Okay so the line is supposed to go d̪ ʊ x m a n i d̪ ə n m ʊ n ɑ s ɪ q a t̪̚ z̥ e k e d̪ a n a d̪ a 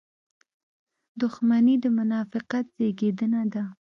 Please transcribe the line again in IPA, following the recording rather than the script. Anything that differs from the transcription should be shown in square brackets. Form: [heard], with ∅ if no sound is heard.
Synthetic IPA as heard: d̪ ʊ x m a n i d̪ ə [∅] m ʊ n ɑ [f] ɪ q a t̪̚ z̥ e [ɡ] e d̪ [ə] n a d̪ a